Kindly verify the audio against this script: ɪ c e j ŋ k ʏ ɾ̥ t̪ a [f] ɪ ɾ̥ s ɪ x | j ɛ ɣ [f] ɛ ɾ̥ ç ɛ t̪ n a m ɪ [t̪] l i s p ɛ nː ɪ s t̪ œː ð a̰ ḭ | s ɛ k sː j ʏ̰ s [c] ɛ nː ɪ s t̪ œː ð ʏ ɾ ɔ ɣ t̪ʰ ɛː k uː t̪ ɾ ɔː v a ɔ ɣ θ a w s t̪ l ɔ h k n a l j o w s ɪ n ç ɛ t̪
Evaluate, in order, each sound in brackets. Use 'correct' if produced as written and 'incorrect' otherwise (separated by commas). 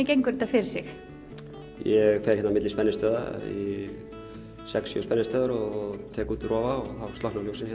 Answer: correct, correct, correct, incorrect